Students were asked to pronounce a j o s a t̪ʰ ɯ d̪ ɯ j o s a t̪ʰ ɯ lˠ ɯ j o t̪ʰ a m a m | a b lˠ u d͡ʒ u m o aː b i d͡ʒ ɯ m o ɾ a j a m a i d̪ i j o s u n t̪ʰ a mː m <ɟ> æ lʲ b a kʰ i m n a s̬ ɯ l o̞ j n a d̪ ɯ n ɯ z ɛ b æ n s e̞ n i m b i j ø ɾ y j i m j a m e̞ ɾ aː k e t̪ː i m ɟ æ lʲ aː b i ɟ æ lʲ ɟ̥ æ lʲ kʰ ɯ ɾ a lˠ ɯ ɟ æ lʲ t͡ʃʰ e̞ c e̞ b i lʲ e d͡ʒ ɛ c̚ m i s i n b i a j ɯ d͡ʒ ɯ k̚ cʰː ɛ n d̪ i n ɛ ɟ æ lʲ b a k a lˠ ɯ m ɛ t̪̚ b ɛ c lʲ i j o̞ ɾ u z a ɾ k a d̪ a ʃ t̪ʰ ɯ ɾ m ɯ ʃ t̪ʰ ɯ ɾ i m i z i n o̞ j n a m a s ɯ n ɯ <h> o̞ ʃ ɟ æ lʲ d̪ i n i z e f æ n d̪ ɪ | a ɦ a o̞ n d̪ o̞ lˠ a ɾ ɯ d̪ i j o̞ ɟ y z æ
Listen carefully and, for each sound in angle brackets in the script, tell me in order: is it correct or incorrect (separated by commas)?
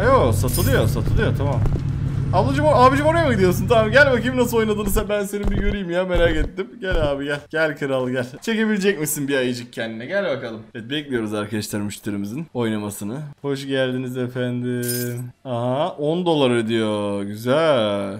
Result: correct, correct